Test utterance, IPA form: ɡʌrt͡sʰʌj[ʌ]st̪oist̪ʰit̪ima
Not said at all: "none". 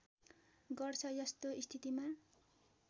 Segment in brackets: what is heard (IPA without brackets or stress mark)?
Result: ʌ